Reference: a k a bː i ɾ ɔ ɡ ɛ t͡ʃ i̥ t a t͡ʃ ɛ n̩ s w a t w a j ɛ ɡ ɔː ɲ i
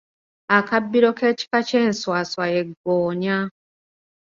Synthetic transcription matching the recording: a k a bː i ɾ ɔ k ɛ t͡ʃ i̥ k a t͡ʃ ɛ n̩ s w a s w a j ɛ ɡ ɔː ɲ a

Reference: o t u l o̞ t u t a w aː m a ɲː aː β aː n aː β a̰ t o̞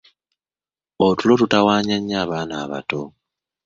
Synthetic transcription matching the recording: o t u l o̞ t u t a w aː ɲ a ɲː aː β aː n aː β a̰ t o̞

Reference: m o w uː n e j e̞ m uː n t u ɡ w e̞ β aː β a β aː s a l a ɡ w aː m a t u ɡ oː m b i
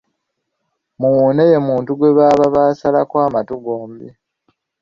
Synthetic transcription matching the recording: m u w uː n e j e̞ m uː n t u ɡ w e̞ β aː β a β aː s a l a k w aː m a t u ɡ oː m b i

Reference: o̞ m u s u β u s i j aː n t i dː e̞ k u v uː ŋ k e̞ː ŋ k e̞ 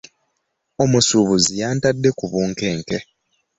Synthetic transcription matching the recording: o̞ m u s u β u z i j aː n t a dː e̞ k u β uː ŋ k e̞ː ŋ k e̞

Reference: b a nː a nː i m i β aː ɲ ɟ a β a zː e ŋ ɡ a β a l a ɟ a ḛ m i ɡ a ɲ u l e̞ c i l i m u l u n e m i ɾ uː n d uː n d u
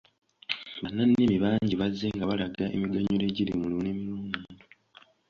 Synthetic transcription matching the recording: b a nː a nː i m i β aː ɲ ɟ i β a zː e ŋ ɡ a β a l a ɡ a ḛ m i ɡ a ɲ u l e̞ ɟ i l i m u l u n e m i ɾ uː n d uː n d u

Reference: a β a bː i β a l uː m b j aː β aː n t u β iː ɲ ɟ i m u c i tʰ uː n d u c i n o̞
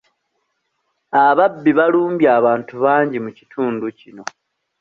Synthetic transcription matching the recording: a β a bː i β a l uː m b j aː β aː n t u β aː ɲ ɟ i m u c i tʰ uː n d u c i n o̞

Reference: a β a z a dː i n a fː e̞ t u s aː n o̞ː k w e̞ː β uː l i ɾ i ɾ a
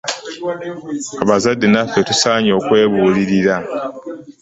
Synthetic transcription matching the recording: a β a z a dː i n a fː e̞ t u s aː ɲ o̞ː k w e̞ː β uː l i ɾ i ɾ a

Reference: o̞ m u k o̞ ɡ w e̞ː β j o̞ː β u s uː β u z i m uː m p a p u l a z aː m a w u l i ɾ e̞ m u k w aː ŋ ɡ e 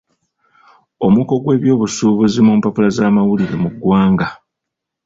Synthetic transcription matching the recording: o̞ m u k o̞ ɡ w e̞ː β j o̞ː β u s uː β u z i m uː m p a p u l a z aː m a w u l i ɾ e̞ m u ɡ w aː ŋ ɡ a

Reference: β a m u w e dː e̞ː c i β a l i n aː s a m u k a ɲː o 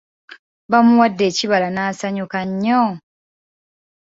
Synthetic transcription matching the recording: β a m u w a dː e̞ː c i β a l a n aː s a ɲ u k a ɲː o

